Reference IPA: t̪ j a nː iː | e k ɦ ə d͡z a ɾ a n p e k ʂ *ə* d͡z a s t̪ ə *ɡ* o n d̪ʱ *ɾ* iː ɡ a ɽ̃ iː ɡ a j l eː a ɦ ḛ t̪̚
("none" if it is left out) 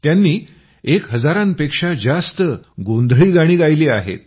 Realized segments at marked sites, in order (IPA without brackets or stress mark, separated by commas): a, ɡ, ɭ